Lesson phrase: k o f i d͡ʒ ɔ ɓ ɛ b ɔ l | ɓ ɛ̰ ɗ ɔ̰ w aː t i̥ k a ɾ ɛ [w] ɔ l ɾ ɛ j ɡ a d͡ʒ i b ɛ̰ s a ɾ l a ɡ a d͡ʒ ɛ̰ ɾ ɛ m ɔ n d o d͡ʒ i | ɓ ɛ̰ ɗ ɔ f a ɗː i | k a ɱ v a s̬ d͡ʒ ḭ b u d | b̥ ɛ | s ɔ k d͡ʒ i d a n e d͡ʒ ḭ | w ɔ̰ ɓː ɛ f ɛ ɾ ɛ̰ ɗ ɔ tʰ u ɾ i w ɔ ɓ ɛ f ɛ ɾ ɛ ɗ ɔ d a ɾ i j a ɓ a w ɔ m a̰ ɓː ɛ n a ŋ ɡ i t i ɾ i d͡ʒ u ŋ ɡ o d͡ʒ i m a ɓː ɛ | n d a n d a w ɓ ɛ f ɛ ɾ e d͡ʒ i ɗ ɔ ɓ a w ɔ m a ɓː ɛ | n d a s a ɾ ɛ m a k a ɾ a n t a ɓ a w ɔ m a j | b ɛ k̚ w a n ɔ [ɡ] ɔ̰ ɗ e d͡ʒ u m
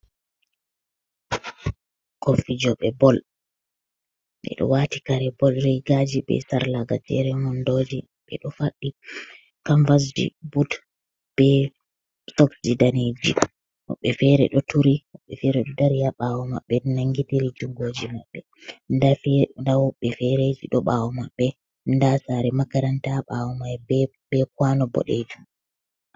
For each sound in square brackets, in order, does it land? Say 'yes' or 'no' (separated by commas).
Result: no, no